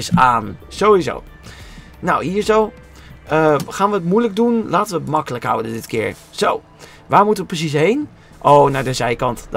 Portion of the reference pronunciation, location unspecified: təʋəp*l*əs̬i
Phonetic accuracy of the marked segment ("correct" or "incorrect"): incorrect